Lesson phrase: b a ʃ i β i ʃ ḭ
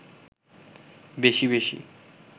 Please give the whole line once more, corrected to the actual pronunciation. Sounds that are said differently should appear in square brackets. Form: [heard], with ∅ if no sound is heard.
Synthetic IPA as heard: b [e] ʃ i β [e] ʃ ḭ